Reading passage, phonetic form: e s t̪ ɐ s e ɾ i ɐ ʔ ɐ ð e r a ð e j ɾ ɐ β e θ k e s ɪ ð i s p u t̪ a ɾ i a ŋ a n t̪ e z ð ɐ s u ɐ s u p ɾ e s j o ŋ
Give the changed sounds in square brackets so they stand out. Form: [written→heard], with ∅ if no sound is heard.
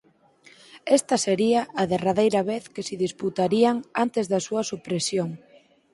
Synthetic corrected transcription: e s t̪ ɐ s e ɾ i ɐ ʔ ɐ ð e r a ð e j ɾ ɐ β e θ k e s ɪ ð i s p u t̪ a ɾ i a ŋ a n t̪ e z ð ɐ s u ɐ s u p ɾ e s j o ŋ